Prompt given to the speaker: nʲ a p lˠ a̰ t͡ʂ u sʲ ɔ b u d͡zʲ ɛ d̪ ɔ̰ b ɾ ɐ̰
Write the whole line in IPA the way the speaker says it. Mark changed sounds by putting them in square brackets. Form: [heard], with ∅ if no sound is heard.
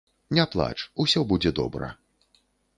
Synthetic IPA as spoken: nʲ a p lˠ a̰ t͡ʂ u sʲ ɔ b u d͡zʲ ɛ d̪ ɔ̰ b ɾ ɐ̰

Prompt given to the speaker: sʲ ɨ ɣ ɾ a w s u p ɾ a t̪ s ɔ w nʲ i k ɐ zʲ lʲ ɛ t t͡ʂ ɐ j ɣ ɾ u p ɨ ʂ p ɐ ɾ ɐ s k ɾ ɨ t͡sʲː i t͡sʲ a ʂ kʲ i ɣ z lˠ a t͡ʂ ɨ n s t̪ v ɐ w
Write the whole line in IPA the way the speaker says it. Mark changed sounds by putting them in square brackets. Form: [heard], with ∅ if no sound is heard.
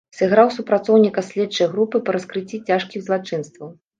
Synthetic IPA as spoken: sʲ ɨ ɣ ɾ a w s u p ɾ a t̪ s ɔ w nʲ i k ɐ [sʲ] lʲ ɛ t t͡ʂ ɐ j ɣ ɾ u p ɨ [∅] p ɐ ɾ ɐ s k ɾ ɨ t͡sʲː i t͡sʲ a ʂ kʲ i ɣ z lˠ a t͡ʂ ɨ n s t̪ v ɐ w

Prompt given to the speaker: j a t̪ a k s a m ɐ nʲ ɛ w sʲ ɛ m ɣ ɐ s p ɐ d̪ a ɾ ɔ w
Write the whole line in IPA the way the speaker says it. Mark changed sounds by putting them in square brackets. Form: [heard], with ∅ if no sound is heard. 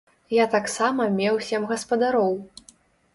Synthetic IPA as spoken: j a t̪ a k s a m ɐ [mʲ] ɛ w sʲ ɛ m ɣ ɐ s p ɐ d̪ a ɾ ɔ w

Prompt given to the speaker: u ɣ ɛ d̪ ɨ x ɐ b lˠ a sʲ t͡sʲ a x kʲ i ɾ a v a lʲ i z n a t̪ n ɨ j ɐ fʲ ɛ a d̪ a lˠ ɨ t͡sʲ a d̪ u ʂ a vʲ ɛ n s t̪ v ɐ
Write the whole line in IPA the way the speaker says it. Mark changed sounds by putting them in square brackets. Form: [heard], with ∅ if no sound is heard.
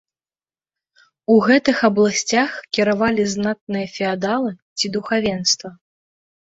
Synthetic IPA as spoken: u ɣ ɛ [t̪] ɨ x ɐ b lˠ a sʲ t͡sʲ a x kʲ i ɾ a v a lʲ i z n a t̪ n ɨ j ɐ fʲ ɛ a d̪ a lˠ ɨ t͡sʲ [i] d̪ u [x] a vʲ ɛ n s t̪ v ɐ

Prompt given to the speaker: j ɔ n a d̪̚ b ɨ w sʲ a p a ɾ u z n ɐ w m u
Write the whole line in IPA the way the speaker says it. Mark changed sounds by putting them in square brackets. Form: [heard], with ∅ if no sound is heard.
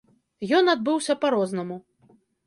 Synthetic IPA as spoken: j ɔ n a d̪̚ b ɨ w sʲ [ɐ] p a ɾ [ɔ] z n ɐ [∅] m u

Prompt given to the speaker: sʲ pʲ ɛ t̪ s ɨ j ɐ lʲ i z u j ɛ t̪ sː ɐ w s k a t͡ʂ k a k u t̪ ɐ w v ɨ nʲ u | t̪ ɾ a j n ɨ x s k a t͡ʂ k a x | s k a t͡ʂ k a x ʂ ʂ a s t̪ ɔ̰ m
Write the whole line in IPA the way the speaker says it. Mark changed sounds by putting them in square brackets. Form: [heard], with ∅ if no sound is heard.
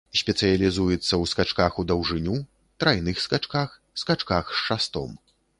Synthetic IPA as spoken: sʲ pʲ ɛ t̪ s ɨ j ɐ lʲ i z u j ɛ t̪ sː ɐ w s k a t͡ʂ k a [x] u [d̪] ɐ w [ʐ] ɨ nʲ u | t̪ ɾ a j n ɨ x s k a t͡ʂ k a x | s k a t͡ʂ k a x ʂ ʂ a s t̪ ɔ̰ m

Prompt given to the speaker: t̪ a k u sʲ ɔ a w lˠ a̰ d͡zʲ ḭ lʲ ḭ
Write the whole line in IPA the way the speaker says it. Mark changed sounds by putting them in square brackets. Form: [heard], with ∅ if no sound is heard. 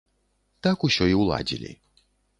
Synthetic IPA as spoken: t̪ a k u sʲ ɔ [i] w lˠ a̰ d͡zʲ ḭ lʲ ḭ

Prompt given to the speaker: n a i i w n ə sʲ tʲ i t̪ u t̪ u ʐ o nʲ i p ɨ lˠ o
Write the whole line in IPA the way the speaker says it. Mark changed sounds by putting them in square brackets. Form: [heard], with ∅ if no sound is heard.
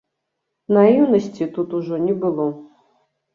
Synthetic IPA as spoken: n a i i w n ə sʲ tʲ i t̪ u t̪ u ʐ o nʲ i [b] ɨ lˠ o

